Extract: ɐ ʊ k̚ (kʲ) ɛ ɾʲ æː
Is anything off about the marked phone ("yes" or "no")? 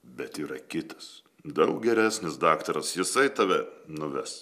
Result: yes